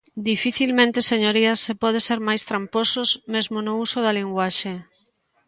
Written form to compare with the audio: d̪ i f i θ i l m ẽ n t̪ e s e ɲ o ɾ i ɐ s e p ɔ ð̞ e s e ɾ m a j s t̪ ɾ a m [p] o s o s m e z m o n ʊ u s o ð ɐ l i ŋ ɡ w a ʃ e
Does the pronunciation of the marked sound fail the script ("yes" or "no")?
no